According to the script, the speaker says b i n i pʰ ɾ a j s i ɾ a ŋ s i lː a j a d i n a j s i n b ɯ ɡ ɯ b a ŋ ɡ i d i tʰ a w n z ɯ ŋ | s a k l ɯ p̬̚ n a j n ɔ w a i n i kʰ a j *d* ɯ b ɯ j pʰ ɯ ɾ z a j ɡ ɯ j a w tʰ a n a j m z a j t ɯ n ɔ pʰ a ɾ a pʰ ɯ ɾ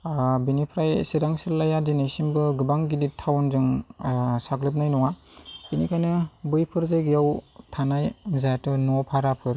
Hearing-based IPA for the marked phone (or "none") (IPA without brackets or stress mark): n